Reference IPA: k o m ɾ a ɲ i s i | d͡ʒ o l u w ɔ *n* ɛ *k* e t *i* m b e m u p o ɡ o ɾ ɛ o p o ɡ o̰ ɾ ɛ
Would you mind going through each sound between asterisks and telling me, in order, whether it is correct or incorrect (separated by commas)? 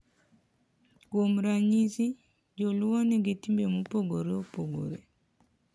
correct, incorrect, correct